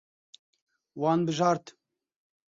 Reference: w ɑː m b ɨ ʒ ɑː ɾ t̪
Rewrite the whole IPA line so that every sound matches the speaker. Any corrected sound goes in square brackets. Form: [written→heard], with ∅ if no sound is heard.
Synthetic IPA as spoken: w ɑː [m→n] b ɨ ʒ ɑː ɾ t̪

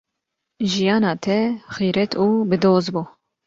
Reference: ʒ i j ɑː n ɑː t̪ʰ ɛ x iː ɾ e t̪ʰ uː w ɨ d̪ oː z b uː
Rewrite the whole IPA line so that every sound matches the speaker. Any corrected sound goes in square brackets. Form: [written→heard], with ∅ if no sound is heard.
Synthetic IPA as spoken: ʒ i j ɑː n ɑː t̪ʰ ɛ x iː ɾ [e→ɛ] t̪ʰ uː [w→b] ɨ d̪ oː z b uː

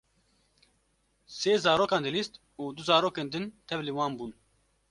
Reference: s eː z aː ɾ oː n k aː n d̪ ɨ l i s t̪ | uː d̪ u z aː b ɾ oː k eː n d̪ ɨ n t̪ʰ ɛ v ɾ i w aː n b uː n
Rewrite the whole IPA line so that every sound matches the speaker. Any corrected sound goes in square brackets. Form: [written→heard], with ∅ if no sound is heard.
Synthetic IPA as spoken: s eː z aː ɾ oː [n→∅] k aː n d̪ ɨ l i s t̪ | uː d̪ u z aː [b→∅] ɾ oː k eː n d̪ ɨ n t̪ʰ ɛ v [ɾ→l] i w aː n b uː n

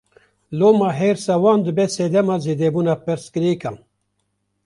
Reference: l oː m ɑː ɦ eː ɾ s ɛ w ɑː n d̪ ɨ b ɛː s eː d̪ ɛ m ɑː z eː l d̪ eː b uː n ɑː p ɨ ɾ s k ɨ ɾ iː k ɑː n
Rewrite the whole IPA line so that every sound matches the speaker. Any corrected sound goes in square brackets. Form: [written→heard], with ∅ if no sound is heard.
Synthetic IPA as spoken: l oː m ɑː ɦ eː ɾ s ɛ w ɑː n d̪ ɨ b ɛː s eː d̪ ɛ m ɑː z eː [l→∅] d̪ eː b uː n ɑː p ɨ ɾ s k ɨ ɾ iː k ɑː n

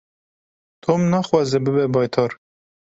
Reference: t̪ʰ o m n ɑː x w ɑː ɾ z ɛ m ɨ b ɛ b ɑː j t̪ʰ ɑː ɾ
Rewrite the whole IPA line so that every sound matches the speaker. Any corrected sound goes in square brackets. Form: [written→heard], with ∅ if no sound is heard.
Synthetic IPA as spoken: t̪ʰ o m n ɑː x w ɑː [ɾ→∅] z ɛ [m→b] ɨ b ɛ b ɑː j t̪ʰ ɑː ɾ

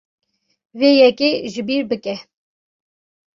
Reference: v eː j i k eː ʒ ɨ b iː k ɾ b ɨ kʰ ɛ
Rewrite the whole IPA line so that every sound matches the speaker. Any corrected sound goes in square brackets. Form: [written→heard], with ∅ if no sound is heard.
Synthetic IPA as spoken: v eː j [i→ɛ] k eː ʒ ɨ b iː [k→∅] ɾ b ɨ [kʰ→k] ɛ

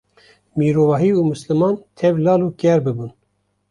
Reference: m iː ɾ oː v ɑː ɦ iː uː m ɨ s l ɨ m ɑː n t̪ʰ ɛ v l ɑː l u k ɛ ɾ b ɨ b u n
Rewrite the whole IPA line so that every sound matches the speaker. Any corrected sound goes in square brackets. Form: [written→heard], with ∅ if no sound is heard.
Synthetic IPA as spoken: m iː ɾ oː v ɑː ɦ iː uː m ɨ s l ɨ m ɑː n t̪ʰ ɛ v l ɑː l u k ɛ ɾ b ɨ b u n

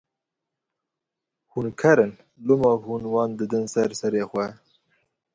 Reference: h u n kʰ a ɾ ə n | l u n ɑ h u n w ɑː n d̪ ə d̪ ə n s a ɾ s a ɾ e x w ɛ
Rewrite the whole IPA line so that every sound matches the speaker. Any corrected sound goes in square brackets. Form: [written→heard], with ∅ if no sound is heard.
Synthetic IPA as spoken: h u n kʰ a ɾ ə n | l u [n→m] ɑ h u n w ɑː n d̪ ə d̪ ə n s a ɾ s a ɾ e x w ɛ

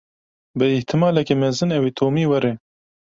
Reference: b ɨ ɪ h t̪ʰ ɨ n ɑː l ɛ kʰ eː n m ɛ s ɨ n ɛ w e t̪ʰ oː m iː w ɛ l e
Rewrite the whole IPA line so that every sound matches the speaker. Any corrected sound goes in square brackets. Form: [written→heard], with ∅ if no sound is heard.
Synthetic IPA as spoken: b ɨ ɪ h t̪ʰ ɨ [n→m] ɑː l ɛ [kʰ→k] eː [n→∅] m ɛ [s→z] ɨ n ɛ w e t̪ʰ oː m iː w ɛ [l→ɾ] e

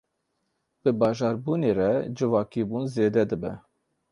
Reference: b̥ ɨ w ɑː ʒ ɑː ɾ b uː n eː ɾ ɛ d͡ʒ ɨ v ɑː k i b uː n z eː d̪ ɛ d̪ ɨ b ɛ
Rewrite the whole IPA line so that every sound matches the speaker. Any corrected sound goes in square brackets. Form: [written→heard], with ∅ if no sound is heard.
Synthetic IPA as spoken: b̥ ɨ [w→b] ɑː ʒ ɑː ɾ b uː n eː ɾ ɛ d͡ʒ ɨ v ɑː k i b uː n z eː d̪ ɛ d̪ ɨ b ɛ

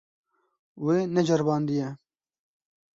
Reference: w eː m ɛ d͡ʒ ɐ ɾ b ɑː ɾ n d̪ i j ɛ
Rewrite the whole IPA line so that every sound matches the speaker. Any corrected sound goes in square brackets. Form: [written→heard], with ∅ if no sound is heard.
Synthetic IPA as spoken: w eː [m→n] ɛ d͡ʒ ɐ ɾ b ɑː [ɾ→∅] n d̪ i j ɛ

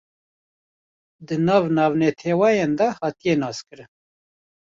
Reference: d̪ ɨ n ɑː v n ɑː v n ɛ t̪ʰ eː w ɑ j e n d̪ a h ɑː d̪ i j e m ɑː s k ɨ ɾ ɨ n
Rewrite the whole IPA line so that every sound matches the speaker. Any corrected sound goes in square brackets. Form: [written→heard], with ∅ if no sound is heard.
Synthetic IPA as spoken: d̪ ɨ n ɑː v n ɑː v n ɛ t̪ʰ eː w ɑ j e n d̪ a h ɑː [d̪→t̪] i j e [m→n] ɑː s k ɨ ɾ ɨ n

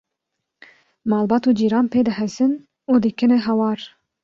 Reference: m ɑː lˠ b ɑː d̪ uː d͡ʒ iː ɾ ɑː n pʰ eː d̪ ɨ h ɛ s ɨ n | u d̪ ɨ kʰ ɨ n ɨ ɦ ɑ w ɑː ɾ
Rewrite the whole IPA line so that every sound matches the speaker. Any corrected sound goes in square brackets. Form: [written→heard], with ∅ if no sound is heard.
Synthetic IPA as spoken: m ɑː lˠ b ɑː [d̪→t̪] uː d͡ʒ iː ɾ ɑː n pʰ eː d̪ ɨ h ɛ s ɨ n | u d̪ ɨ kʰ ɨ n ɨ ɦ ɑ w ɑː ɾ

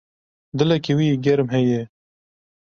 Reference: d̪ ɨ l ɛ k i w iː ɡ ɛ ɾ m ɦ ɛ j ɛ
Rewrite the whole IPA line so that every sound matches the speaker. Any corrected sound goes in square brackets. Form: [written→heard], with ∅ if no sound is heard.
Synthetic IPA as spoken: d̪ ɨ l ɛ k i w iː ɡ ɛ ɾ m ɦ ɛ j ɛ

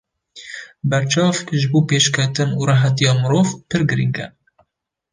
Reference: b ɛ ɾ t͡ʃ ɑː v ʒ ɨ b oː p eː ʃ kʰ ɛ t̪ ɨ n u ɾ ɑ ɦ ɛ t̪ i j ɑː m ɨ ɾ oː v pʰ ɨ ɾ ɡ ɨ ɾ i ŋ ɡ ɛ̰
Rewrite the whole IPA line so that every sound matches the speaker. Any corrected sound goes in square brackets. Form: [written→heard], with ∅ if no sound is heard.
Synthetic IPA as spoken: b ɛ ɾ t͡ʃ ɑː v ʒ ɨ b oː p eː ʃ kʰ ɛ t̪ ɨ n u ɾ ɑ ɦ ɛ t̪ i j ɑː m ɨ ɾ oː v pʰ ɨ ɾ ɡ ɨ ɾ i ŋ ɡ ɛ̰

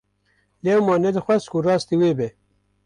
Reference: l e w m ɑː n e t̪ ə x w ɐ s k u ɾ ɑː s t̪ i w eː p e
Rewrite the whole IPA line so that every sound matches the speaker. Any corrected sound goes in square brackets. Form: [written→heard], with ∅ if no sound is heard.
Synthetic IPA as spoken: l e w m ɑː n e [t̪→d̪] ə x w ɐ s k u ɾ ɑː s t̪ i w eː [p→b] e

